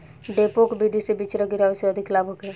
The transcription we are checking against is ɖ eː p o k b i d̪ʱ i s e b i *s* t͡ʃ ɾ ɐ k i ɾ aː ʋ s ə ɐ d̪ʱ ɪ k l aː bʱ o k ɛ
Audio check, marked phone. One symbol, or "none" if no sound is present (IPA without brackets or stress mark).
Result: none